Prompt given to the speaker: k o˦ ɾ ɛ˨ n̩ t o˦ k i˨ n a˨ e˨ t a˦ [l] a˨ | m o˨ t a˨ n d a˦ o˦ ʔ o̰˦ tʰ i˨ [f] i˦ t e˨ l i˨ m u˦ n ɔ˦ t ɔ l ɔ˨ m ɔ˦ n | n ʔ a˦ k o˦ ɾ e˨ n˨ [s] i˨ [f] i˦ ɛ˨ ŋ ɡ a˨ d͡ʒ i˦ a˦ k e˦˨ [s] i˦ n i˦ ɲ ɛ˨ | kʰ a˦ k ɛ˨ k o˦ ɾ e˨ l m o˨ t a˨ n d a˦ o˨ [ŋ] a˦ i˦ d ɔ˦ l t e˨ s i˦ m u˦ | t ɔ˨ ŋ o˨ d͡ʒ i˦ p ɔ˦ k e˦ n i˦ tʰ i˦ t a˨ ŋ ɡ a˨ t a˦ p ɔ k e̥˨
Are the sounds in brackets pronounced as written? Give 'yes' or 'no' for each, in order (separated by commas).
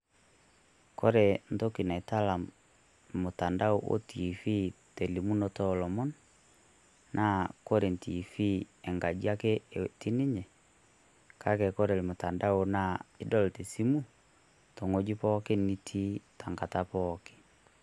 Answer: yes, yes, no, yes, no, no